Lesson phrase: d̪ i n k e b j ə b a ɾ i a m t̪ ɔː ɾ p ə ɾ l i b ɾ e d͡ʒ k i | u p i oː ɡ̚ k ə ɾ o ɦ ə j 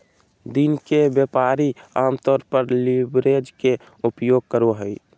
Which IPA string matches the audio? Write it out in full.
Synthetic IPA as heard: d̪ i n k e b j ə p a ɾ i a m t̪ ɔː ɾ p ə ɾ l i b ɾ e d͡ʒ k e | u p j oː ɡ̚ k ə ɾ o ɦ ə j